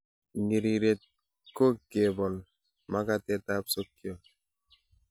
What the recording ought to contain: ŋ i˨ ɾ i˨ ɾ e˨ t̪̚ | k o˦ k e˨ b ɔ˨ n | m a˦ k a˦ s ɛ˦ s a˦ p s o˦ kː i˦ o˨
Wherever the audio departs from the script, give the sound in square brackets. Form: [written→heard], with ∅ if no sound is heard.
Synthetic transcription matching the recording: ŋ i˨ ɾ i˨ ɾ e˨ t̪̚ | k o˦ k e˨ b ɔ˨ n | m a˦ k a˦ [s→t] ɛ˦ [s→t] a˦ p s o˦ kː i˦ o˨